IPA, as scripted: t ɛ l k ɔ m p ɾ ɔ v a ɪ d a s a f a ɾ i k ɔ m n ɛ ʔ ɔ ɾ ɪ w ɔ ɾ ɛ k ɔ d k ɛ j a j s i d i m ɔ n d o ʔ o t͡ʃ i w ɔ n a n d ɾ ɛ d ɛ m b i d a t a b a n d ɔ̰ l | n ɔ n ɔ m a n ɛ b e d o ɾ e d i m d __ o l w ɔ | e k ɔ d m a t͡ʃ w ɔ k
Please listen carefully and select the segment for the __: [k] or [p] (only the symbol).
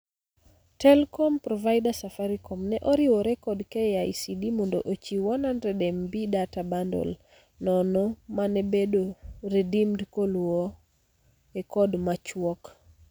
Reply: k